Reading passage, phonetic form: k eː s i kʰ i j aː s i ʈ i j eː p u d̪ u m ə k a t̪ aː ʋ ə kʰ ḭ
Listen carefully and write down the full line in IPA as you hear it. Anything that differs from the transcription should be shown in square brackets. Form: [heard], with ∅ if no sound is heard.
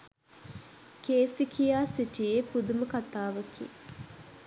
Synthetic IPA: k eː s i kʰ i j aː s i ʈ i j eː p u d̪ u m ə k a t̪ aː ʋ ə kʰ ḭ